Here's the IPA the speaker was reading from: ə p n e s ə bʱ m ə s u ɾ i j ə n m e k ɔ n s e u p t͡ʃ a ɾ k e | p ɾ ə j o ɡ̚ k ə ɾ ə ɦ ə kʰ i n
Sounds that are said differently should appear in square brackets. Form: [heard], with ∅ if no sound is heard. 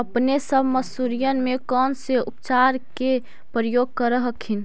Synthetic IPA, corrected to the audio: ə p n e s ə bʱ m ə s u ɾ i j ə n m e k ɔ n s e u p t͡ʃ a ɾ k e | p ɾ ə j o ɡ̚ k ə ɾ ə ɦ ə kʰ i n